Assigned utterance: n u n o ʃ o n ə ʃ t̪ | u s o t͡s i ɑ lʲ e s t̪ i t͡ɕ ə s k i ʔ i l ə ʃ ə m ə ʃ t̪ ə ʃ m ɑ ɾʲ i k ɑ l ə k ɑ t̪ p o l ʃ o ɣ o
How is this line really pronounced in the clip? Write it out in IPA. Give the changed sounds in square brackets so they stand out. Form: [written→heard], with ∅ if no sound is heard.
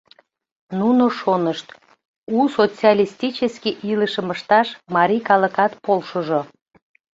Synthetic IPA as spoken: n u n o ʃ o n ə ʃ t̪ | u s o t͡s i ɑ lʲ [e→i] s t̪ i t͡ɕ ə s k i ʔ i l ə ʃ ə m ə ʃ t̪ [ə→ɑ] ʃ m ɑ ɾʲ i k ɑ l ə k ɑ t̪ p o l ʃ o [ɣ→ʒ] o

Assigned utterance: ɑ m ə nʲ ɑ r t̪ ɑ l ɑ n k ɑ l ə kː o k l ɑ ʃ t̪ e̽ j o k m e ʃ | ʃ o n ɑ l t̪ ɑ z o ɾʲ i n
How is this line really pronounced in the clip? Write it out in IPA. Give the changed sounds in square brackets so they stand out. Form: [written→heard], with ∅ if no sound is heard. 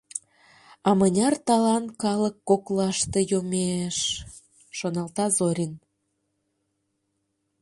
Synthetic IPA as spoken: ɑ m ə nʲ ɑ r t̪ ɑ l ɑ n k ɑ l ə kː o k l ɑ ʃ t̪ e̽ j o [k→∅] m e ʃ | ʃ o n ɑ l t̪ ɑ z o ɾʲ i n

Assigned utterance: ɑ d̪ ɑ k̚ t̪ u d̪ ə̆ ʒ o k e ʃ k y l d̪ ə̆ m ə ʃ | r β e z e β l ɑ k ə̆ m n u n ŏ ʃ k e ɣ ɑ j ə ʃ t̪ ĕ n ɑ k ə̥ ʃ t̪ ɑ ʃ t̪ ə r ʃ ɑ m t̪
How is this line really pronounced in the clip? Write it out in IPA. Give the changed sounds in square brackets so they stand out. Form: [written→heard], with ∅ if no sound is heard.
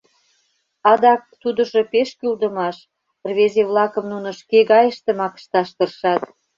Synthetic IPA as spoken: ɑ d̪ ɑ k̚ t̪ u d̪ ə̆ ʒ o [k→p] e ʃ k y l d̪ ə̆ m [ə→ɑ] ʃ | r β e z e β l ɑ k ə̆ m n u n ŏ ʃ k e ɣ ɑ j ə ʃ t̪ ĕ [n→m] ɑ k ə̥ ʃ t̪ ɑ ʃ t̪ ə r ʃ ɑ [m→∅] t̪

